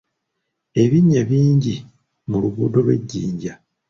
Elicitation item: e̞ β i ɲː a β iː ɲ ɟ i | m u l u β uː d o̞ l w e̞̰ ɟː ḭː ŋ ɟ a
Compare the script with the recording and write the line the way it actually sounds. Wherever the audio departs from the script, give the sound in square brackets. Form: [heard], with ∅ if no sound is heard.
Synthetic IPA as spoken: e̞ β i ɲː a β iː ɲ ɟ i | m u l u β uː d o̞ l w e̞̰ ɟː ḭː [ɲ] ɟ a